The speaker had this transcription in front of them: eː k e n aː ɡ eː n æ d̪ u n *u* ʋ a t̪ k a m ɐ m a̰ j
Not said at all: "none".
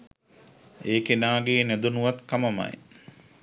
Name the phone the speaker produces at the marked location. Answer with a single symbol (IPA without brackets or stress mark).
u